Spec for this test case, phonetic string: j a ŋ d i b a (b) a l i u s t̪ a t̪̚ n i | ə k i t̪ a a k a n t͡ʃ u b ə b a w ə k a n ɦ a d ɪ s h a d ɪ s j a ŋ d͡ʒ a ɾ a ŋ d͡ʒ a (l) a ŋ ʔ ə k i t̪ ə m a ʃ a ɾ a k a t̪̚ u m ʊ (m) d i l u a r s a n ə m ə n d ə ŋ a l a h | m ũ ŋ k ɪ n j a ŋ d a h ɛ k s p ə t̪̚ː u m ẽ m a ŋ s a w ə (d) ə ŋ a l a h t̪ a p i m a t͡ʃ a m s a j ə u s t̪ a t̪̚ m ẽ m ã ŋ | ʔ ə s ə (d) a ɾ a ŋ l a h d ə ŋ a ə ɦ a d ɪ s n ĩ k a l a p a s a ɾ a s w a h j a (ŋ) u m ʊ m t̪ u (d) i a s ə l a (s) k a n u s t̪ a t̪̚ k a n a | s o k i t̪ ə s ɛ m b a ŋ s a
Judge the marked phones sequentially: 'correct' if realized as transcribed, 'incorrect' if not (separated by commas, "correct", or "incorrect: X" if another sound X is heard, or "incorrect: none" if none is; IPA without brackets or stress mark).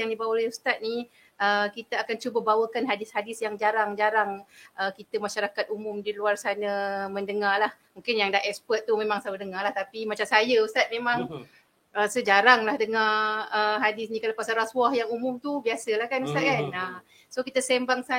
incorrect: w, incorrect: ɾ, correct, correct, incorrect: d͡ʒ, correct, incorrect: b, incorrect: h